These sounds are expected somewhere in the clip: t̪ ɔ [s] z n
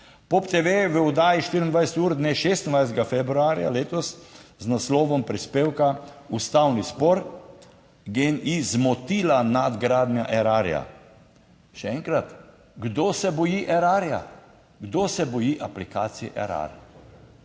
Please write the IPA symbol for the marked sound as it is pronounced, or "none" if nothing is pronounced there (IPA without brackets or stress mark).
s